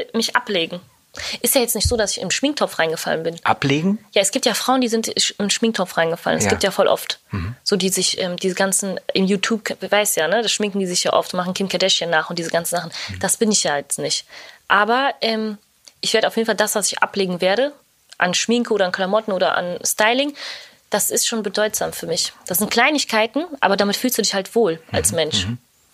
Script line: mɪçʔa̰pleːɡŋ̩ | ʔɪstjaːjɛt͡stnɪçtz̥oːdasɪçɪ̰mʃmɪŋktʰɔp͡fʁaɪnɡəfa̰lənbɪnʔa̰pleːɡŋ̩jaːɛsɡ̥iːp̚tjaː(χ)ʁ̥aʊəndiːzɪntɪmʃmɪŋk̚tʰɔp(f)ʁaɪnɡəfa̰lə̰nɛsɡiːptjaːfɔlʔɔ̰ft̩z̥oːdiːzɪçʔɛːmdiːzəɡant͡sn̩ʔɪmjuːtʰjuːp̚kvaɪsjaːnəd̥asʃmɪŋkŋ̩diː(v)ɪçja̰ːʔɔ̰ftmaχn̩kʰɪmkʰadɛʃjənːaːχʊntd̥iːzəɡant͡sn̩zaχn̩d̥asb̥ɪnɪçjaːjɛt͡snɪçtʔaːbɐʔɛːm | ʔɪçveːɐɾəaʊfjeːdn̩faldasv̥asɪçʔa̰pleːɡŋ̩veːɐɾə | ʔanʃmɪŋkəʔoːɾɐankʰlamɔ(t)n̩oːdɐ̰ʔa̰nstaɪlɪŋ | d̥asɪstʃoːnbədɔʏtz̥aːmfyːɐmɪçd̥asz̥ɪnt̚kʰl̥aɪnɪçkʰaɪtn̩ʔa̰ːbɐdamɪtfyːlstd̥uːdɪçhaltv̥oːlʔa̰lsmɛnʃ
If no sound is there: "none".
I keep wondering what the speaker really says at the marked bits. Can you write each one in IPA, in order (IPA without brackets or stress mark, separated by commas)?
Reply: f, f, z, t